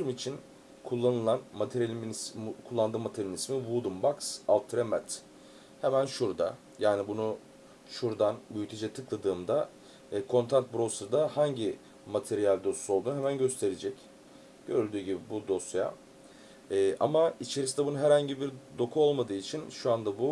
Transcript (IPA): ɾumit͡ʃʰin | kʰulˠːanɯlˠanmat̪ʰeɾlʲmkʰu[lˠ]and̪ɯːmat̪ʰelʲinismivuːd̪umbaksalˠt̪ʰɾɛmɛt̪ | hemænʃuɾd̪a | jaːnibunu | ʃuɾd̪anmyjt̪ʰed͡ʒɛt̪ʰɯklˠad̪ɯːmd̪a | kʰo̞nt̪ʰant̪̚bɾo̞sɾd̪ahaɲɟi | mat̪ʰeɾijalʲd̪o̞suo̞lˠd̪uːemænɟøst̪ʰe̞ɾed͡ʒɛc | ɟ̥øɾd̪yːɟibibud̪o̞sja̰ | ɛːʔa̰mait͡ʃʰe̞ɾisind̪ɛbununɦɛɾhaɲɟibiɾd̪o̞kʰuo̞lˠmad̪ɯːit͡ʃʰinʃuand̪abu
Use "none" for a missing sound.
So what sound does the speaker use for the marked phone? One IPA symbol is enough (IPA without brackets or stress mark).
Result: lˠː